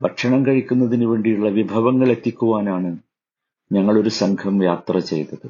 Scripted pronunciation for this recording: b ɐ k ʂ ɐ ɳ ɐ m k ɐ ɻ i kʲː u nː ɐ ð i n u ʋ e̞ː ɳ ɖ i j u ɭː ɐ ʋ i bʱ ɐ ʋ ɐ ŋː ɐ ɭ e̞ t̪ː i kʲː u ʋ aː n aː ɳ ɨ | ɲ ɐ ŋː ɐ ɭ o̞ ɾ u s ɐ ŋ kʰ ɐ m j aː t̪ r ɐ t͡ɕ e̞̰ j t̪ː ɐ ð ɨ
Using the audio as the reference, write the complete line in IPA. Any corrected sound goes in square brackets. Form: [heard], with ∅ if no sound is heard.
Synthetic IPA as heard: b ɐ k ʂ ɐ ɳ ɐ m k ɐ ɻ i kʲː u nː ɐ ð i n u ʋ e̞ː ɳ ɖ i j u ɭː ɐ ʋ i bʱ ɐ ʋ ɐ ŋː ɐ ɭ e̞ t̪ː i kʲː u ʋ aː n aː ɳ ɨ | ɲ ɐ ŋː ɐ ɭ o̞ ɾ u s ɐ ŋ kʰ ɐ m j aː t̪ r ɐ t͡ɕ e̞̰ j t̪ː ɐ ð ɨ